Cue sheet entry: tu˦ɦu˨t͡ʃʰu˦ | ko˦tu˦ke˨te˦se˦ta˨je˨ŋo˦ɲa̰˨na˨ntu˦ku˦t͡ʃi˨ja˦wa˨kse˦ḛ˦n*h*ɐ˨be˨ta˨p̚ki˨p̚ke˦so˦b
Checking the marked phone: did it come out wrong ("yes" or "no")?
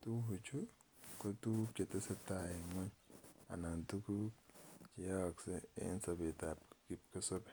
yes